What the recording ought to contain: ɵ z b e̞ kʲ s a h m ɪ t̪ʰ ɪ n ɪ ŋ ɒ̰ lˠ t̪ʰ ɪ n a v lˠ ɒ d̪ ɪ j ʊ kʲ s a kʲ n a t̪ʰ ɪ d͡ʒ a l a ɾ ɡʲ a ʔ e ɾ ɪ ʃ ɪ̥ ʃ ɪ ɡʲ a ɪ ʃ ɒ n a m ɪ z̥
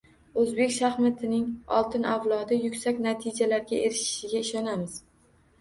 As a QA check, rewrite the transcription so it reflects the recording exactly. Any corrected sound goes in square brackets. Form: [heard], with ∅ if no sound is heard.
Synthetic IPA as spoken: ɵ z b e̞ kʲ [ʃ] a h m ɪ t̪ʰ ɪ n ɪ ŋ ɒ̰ lˠ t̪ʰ ɪ n a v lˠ ɒ d̪ ɪ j ʊ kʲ s a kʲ n a t̪ʰ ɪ d͡ʒ a l a ɾ ɡʲ a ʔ e ɾ ɪ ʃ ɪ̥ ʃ ɪ ɡʲ a ɪ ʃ ɒ n a m ɪ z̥